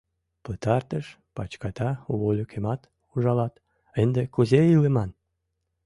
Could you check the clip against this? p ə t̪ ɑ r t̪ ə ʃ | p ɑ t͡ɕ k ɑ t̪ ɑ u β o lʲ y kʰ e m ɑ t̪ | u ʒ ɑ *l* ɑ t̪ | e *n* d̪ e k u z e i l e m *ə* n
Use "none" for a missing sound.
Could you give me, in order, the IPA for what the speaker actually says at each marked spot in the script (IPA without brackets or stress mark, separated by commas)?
l, n, ɑ